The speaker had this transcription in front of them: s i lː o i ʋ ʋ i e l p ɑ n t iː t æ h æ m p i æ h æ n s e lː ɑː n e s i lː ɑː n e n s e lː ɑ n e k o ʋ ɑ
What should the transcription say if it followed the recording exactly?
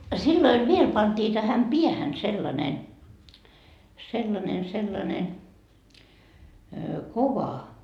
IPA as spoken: s i lː o i ʋ ʋ i e l p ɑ n t iː t æ h æ m p i æ h æ n s e lː ɑ n e s e lː ɑ n e n s e lː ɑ n e k o ʋ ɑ